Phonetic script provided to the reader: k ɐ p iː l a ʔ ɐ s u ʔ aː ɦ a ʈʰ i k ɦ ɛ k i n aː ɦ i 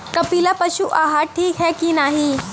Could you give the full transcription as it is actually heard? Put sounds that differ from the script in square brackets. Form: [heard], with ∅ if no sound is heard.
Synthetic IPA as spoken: k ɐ p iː l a [p] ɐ [ʃ] u ʔ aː ɦ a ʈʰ [iː] k ɦ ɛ k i n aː ɦ i

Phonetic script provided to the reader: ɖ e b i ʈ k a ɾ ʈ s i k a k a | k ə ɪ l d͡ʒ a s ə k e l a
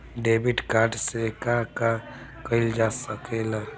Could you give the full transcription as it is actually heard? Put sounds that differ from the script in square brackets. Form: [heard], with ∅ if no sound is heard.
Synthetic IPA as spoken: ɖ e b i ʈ k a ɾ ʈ s [e] k a k a | k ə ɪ l d͡ʒ a s ə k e l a

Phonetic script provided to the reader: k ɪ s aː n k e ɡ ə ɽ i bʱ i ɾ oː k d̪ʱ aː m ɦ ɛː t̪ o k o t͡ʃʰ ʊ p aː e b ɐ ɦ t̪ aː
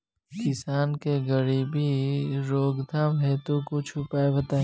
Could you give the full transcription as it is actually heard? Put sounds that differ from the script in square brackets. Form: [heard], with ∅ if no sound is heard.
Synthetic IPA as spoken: k ɪ s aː n k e ɡ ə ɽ i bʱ i ɾ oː [ɡ] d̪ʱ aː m ɦ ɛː t̪ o k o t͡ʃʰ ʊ p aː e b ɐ [∅] t̪ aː

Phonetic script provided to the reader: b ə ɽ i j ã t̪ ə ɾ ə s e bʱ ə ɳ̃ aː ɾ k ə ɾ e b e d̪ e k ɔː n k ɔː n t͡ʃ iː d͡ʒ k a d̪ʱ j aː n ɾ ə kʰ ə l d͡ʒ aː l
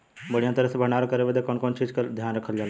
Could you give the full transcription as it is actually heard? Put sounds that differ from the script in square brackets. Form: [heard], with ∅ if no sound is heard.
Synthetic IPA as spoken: b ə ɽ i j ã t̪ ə ɾ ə s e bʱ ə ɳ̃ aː ɾ k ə ɾ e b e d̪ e k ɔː n k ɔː n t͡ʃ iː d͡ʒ k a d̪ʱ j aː n ɾ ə kʰ ə l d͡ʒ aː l

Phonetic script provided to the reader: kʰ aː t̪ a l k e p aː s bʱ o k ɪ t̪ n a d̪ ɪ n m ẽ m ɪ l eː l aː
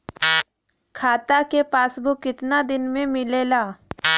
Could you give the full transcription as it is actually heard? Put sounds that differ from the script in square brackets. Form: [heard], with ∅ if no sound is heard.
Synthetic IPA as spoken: kʰ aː t̪ a [∅] k e p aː s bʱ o k ɪ t̪ n a d̪ ɪ n m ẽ m ɪ l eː l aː

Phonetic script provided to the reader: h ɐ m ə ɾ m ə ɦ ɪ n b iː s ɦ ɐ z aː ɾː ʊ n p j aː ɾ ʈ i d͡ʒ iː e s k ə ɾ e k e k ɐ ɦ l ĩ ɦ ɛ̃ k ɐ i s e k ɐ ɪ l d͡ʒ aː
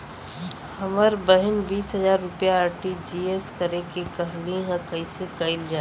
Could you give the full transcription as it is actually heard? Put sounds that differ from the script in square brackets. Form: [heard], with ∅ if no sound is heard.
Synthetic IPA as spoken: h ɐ m ə ɾ [b] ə ɦ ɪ n b iː s ɦ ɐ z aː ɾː ʊ [∅] p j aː ɾ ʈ i d͡ʒ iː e s k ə ɾ e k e k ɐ ɦ l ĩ ɦ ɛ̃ k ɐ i s e k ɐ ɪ l d͡ʒ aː

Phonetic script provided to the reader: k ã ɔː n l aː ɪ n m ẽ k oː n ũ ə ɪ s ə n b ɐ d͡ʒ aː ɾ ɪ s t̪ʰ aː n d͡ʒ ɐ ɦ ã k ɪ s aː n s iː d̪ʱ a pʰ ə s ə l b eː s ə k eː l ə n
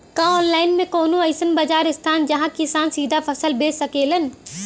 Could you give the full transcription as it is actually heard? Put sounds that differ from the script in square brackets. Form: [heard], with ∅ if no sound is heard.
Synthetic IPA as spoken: k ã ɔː n l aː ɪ n m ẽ k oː n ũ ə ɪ s ə n b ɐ d͡ʒ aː ɾ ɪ s t̪ʰ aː n d͡ʒ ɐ ɦ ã k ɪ s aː n s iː d̪ʱ a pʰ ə s ə l b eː s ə k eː l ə n

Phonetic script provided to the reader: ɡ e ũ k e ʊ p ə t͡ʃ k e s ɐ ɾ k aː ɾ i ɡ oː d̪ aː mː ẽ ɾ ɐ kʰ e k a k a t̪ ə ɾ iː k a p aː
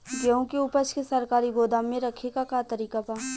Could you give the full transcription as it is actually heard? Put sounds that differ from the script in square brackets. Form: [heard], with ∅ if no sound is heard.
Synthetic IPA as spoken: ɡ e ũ k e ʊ p ə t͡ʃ k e s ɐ ɾ k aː ɾ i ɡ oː d̪ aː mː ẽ ɾ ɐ kʰ e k a k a t̪ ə ɾ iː k a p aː

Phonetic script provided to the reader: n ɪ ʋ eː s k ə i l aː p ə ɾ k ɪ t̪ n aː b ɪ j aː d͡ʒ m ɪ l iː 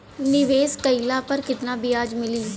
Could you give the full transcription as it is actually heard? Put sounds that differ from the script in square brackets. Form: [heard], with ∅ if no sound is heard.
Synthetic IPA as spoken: n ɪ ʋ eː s k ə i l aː p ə ɾ k ɪ t̪ n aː b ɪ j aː d͡ʒ m ɪ l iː

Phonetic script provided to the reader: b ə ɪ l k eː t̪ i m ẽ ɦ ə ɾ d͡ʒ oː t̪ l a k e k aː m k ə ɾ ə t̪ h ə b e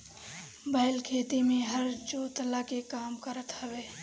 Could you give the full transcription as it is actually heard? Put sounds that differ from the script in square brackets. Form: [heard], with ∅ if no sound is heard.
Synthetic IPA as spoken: b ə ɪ l [kʰ] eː t̪ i m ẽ ɦ ə ɾ d͡ʒ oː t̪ l a k e k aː m k ə ɾ ə t̪ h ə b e

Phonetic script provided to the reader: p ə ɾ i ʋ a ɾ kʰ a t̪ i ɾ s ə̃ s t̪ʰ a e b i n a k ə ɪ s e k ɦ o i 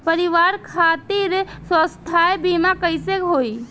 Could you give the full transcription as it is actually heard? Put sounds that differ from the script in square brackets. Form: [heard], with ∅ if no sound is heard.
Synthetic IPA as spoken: p ə ɾ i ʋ a ɾ kʰ a t̪ i ɾ s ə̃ s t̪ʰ a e b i [m] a k ə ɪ s e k ɦ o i

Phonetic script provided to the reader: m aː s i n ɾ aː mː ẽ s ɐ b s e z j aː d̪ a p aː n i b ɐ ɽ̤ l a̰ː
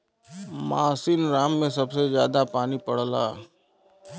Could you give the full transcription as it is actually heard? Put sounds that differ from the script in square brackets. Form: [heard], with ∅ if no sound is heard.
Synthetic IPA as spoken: m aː s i n ɾ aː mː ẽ s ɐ b s e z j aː d̪ a p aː n i [p] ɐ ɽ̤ l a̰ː

